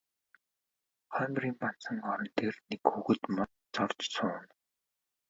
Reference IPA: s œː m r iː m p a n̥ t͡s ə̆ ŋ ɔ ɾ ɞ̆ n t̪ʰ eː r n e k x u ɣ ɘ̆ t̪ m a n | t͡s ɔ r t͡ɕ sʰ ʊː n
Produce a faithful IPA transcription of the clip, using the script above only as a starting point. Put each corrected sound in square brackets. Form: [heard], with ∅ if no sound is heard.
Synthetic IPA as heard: [χ] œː m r iː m p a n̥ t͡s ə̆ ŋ ɔ ɾ ɞ̆ n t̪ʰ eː r n e k x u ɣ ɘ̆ t̪ m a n | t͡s ɔ r t͡ɕ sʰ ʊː n